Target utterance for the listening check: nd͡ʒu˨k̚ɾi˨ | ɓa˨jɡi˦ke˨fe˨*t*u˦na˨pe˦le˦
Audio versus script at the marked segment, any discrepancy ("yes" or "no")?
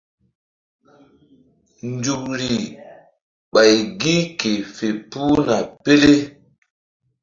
yes